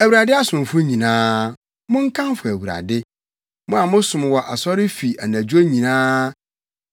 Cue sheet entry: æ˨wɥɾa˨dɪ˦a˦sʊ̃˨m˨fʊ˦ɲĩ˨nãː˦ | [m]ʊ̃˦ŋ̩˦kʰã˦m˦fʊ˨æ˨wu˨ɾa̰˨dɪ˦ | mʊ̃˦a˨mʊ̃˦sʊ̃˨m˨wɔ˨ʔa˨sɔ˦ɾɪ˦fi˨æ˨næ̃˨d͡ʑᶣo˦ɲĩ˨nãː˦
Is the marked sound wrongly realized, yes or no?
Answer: no